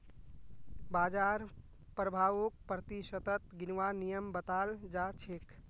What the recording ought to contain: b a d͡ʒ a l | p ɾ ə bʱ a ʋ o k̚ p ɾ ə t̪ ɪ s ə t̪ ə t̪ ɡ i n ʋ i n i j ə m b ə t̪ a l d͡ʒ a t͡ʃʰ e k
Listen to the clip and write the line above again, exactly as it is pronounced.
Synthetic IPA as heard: b a d͡ʒ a ɾ | p ɾ ə bʱ a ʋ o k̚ p ɾ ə t̪ i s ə t̪ ə t̪ ɡ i n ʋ a n i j ə m b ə t̪ a l d͡ʒ a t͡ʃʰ e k